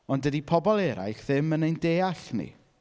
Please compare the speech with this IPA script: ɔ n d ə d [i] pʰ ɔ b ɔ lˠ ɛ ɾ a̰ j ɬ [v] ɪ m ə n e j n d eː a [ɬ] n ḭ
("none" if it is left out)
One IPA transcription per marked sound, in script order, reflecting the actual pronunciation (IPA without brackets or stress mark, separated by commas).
i, ð, ɬ